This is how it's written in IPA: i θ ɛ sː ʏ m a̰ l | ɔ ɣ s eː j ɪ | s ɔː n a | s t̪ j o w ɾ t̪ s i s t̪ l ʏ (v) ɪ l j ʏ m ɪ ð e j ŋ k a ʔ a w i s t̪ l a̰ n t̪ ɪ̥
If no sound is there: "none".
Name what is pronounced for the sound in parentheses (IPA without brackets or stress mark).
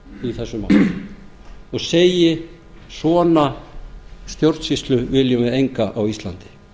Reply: v